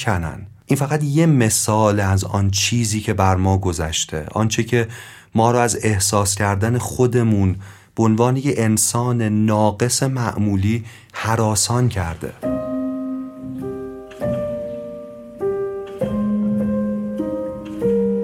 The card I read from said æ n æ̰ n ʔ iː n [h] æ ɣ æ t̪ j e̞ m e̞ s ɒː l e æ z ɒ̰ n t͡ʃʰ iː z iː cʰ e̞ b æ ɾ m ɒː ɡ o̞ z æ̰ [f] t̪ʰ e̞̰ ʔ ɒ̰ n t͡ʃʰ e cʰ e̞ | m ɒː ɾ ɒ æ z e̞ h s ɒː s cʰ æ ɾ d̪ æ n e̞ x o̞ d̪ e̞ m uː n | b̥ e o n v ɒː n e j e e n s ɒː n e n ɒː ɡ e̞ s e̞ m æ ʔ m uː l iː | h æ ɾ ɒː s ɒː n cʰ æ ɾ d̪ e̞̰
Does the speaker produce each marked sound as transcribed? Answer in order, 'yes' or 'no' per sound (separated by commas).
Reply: no, no